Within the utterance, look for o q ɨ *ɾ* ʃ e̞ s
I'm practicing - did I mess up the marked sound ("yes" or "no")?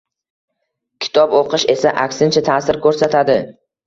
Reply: yes